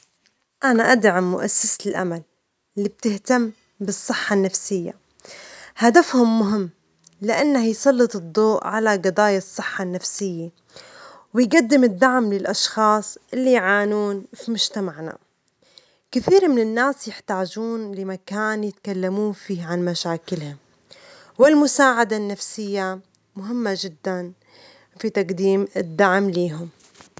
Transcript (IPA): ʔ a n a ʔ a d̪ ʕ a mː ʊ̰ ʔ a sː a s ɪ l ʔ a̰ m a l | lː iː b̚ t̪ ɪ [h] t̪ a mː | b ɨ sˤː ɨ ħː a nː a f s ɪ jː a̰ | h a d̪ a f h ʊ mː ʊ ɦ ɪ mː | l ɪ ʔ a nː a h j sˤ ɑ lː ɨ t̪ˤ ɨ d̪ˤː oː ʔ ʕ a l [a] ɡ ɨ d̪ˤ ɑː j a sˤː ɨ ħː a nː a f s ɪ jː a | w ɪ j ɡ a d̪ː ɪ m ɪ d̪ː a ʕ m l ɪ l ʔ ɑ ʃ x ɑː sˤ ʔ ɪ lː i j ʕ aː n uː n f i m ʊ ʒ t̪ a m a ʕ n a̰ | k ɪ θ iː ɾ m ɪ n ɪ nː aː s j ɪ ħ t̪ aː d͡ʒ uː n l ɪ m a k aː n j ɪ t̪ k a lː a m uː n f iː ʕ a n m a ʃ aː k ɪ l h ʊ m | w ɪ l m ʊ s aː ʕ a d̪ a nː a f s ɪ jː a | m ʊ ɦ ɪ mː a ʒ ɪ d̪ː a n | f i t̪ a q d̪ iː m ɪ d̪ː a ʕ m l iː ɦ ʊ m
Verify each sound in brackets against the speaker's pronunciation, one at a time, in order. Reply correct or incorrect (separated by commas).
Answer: correct, correct